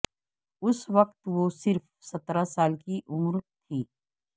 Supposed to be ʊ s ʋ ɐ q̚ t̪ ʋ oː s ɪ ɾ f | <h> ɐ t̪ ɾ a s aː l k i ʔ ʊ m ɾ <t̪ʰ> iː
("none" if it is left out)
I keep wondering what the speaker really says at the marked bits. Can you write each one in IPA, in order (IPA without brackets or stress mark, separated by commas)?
s, t̪ʰ